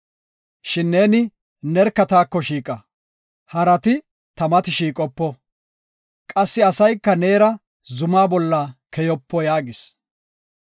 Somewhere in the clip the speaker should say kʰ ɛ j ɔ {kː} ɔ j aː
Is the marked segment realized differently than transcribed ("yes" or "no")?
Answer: yes